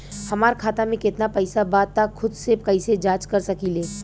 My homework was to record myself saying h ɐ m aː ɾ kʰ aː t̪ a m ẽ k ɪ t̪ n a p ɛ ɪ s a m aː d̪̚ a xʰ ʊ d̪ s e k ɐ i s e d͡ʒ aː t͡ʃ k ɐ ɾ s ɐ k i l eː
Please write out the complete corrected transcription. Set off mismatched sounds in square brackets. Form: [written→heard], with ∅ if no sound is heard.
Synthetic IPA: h ɐ m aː ɾ kʰ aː t̪ a m ẽ k ɪ t̪ n a p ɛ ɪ s a [m→b] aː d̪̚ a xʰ ʊ d̪ s e k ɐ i s e d͡ʒ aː t͡ʃ k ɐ ɾ s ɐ k i l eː